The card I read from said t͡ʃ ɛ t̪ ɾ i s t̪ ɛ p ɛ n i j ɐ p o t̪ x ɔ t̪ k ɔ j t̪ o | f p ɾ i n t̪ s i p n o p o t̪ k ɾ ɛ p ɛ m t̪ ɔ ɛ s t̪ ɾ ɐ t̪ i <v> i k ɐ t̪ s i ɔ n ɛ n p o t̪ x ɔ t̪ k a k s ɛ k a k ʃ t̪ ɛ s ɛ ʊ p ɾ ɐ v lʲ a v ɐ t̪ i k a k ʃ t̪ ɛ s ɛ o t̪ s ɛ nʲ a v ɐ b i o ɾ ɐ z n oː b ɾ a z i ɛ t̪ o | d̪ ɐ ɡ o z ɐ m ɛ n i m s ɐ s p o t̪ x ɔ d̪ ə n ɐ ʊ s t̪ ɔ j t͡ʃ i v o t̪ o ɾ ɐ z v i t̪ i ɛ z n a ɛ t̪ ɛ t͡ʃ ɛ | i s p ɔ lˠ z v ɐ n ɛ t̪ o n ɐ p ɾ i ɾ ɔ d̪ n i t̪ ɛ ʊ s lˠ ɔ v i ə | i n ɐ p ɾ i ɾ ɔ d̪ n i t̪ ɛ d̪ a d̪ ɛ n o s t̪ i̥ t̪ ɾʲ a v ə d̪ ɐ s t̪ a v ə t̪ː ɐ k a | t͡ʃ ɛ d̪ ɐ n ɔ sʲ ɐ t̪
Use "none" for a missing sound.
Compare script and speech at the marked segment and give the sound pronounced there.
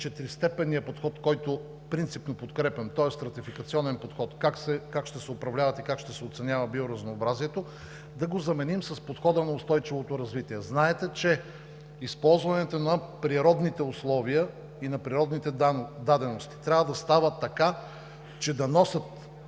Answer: f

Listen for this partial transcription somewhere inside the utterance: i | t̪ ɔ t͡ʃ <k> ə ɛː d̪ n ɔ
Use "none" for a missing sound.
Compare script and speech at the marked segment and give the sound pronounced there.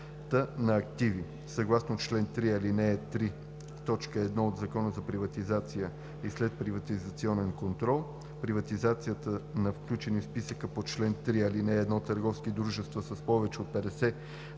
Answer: k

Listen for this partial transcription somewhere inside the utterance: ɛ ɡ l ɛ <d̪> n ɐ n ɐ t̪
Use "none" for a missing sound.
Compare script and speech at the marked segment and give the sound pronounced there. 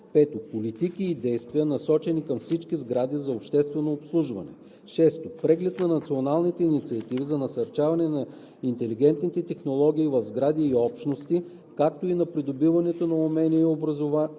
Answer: t̪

